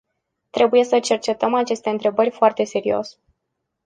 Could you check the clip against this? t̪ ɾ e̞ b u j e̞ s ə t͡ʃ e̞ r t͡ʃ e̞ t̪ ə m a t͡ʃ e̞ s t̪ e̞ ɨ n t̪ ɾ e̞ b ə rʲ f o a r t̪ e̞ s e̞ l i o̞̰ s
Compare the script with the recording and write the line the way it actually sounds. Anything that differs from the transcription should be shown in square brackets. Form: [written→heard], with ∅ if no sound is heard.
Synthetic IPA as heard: t̪ ɾ e̞ b u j e̞ s ə t͡ʃ e̞ r t͡ʃ e̞ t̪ ə m a t͡ʃ e̞ s t̪ e̞ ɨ n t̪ ɾ e̞ b ə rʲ f o a r t̪ e̞ s e̞ [l→ɾ] i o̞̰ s